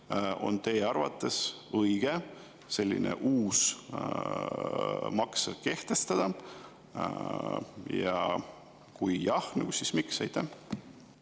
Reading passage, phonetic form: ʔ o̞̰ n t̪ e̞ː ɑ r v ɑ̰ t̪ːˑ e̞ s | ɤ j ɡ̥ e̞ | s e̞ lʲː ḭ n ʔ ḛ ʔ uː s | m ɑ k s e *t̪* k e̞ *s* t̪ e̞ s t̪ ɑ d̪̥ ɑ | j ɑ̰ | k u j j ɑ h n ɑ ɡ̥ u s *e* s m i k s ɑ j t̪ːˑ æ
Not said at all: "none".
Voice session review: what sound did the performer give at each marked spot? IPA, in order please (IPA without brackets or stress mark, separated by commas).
none, h, i